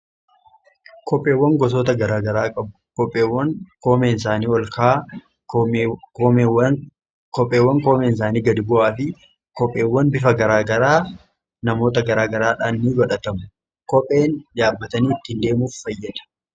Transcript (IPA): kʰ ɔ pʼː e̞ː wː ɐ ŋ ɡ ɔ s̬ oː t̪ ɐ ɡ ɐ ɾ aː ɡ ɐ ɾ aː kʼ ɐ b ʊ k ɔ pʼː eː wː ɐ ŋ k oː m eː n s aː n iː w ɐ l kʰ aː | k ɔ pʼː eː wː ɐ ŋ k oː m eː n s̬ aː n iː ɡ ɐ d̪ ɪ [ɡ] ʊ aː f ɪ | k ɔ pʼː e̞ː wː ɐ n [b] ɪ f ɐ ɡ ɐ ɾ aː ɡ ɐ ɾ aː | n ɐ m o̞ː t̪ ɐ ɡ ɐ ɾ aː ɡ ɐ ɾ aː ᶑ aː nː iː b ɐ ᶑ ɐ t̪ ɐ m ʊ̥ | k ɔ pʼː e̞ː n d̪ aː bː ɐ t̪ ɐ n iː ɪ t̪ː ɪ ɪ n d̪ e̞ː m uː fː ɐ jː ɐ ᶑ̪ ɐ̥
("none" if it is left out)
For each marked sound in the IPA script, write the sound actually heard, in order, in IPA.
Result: b, b

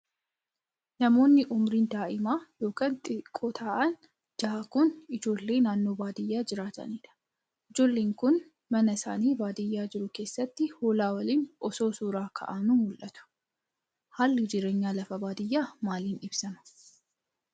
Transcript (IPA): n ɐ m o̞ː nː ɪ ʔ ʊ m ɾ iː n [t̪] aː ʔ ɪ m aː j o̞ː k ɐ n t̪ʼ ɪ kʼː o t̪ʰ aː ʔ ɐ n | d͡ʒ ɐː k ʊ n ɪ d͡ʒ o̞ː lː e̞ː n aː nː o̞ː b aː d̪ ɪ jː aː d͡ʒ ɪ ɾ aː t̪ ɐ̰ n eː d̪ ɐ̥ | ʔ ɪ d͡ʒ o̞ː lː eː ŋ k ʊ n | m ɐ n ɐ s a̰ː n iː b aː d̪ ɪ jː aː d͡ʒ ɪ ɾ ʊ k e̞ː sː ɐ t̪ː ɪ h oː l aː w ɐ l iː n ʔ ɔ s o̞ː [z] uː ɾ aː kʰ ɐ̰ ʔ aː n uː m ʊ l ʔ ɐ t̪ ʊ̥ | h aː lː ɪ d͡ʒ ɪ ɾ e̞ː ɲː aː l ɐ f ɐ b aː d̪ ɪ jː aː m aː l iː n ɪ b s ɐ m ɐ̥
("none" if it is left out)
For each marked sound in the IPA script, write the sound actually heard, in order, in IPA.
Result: d̪, s

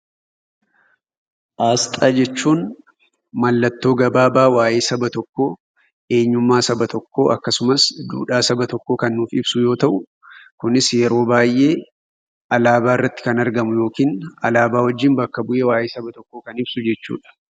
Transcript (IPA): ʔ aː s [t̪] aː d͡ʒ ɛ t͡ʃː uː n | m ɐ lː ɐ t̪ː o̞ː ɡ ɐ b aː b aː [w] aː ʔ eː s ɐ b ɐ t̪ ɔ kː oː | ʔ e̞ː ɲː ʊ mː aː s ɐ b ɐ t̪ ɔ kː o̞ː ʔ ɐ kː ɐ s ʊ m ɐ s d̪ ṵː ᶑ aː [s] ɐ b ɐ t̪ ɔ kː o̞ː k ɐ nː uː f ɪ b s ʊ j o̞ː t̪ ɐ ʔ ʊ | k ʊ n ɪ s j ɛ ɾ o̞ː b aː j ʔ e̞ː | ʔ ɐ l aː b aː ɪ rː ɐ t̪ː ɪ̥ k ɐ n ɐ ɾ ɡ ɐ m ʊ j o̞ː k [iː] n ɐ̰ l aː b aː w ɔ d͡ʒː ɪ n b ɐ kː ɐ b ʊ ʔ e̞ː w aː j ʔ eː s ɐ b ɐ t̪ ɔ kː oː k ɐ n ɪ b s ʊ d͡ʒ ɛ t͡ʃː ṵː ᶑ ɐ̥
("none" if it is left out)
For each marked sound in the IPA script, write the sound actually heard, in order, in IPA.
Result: t̪ʼ, w, s, iː

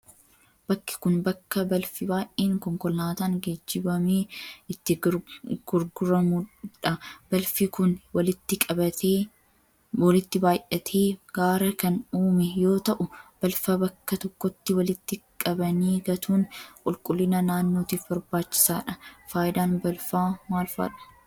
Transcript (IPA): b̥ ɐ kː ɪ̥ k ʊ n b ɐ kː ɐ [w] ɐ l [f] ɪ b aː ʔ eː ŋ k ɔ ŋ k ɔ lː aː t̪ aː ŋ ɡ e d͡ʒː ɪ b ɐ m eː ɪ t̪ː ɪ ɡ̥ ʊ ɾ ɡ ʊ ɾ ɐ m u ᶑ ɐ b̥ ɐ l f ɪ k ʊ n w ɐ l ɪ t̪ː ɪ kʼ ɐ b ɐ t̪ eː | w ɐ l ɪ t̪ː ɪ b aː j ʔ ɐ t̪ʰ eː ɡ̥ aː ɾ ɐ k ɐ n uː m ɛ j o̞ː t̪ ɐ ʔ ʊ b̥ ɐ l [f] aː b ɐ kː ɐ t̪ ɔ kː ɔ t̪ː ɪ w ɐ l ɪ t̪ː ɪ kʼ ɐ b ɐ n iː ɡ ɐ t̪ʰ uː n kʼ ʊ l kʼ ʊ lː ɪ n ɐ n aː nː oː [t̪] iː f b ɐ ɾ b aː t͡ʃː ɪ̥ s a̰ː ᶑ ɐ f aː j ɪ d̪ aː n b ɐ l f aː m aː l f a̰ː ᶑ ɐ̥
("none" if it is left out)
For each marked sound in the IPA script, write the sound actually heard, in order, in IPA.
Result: b, f, f, t̪

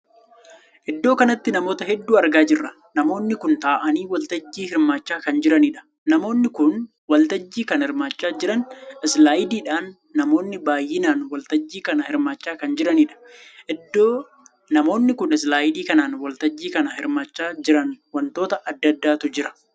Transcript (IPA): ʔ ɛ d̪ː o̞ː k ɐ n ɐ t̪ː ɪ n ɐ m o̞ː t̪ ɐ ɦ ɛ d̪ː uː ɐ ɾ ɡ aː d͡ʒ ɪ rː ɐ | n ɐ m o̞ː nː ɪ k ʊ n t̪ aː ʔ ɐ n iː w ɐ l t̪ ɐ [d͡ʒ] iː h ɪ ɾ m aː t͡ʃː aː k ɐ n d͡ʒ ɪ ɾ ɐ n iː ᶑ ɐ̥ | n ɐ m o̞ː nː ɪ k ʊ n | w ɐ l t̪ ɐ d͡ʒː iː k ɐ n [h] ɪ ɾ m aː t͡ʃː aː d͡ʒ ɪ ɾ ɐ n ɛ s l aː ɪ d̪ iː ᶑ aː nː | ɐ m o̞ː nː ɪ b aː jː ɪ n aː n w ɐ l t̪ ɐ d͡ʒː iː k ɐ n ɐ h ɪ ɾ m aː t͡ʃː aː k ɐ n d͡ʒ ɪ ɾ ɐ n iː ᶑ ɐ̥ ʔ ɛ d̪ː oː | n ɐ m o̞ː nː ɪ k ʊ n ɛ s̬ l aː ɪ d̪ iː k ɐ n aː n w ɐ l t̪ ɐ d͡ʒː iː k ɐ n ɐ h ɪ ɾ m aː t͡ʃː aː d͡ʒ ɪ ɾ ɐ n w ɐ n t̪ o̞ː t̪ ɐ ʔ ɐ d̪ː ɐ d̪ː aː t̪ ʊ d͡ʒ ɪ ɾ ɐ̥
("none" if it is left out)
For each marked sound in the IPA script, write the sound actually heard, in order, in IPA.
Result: d͡ʒː, h

